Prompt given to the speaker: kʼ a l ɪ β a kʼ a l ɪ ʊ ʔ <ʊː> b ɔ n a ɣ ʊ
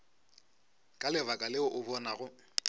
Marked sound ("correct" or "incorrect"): incorrect